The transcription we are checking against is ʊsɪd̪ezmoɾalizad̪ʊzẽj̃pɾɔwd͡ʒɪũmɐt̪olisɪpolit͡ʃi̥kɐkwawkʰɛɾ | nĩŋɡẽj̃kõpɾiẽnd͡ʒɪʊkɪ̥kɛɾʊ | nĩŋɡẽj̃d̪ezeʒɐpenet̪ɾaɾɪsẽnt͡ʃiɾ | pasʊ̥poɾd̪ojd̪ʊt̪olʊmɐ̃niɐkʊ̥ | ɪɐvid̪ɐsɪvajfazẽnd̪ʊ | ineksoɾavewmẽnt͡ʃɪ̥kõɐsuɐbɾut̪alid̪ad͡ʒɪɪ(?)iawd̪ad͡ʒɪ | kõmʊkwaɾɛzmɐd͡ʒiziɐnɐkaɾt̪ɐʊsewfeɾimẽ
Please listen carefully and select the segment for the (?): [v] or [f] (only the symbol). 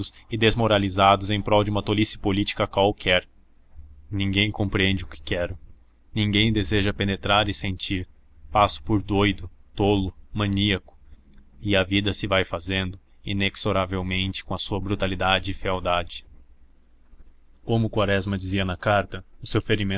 f